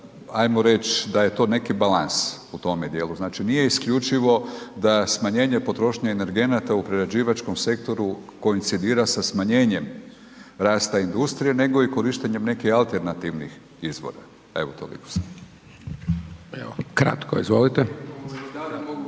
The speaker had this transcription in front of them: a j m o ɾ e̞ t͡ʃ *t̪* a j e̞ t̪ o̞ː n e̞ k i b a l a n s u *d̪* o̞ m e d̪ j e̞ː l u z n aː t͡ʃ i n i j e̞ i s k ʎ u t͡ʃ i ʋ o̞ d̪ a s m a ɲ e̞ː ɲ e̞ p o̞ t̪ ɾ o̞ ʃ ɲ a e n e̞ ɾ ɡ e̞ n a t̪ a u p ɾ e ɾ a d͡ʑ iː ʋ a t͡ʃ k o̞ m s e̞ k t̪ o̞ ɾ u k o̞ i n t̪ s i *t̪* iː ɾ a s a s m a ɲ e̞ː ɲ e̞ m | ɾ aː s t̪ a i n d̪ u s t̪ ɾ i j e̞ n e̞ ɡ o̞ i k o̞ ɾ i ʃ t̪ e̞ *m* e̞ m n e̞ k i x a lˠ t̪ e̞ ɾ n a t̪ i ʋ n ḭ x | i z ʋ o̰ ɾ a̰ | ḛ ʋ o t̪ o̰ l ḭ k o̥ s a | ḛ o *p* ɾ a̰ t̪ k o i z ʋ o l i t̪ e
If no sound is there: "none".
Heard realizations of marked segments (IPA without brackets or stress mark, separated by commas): d̪, t̪, d̪, ɲ, k